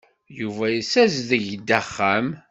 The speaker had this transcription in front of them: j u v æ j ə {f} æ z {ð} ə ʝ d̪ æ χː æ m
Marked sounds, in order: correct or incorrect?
incorrect: s, correct

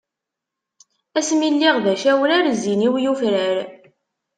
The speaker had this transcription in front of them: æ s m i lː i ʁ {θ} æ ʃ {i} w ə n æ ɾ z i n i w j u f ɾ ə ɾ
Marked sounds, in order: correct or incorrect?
incorrect: ð, incorrect: æ

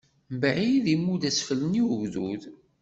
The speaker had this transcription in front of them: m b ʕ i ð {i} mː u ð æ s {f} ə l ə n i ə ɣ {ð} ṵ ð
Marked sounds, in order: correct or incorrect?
correct, correct, correct

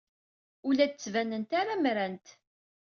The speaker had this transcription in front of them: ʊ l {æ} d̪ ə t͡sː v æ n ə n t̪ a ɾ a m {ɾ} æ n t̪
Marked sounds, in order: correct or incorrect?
correct, correct

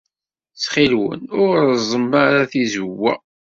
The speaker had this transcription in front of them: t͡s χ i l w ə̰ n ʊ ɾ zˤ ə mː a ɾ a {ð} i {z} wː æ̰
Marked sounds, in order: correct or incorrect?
incorrect: θ, correct

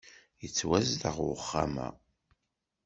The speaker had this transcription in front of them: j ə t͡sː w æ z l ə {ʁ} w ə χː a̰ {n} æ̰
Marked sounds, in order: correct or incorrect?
correct, incorrect: m

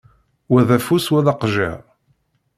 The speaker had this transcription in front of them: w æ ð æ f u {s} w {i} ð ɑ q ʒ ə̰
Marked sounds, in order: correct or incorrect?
correct, incorrect: æ

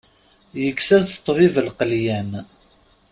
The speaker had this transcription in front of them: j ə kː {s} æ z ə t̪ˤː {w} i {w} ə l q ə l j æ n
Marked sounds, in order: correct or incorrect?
correct, incorrect: v, incorrect: v

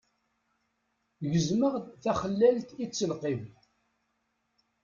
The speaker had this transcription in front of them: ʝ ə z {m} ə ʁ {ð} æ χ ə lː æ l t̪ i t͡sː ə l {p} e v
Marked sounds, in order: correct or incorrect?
correct, incorrect: θ, incorrect: q

